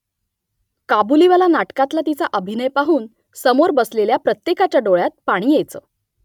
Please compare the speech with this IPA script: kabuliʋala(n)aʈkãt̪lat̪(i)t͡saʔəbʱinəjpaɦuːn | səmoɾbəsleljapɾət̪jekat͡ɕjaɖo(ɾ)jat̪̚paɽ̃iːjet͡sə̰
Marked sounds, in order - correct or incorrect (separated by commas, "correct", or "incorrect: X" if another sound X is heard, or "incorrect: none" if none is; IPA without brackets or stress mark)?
correct, correct, incorrect: ɭ